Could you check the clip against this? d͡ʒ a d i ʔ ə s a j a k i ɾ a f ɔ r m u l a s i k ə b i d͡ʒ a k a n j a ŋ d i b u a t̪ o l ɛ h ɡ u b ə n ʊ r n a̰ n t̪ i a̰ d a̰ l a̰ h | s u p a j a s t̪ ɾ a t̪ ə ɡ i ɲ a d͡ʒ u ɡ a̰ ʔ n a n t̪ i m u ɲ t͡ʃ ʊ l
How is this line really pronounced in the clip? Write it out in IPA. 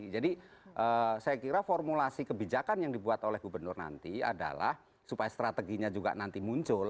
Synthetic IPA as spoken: d͡ʒ a d i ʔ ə s a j a k i ɾ a f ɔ r m u l a s i k ə b i d͡ʒ a k a n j a ŋ d i b u a t̪ o l ɛ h ɡ u b ə n ʊ r n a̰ n t̪ i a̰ d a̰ l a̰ h | s u p a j a s t̪ ɾ a t̪ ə ɡ i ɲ a d͡ʒ u ɡ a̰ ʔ n a n t̪ i m u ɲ t͡ʃ ʊ l